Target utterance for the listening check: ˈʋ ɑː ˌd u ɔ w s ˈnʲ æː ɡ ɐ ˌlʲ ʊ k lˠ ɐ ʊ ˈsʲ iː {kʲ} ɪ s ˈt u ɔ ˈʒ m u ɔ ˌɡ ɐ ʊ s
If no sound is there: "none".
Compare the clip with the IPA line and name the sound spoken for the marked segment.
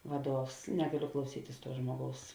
tʲ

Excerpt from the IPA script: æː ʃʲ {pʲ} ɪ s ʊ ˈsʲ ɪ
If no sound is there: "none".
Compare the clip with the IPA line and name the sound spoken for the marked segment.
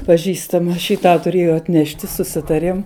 tʲ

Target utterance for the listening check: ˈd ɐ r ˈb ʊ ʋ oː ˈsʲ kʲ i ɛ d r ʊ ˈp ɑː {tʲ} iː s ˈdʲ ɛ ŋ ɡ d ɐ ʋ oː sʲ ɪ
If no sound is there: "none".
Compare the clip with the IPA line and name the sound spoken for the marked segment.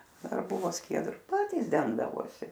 tʲ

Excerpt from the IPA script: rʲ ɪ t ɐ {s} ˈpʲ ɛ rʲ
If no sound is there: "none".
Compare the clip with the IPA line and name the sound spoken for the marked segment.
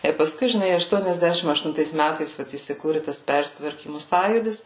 s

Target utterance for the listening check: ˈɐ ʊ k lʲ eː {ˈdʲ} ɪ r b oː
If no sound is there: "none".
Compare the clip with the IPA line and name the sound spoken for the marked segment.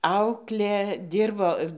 dʲ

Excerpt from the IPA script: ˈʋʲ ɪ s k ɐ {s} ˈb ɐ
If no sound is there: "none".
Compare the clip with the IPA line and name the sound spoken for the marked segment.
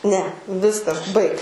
s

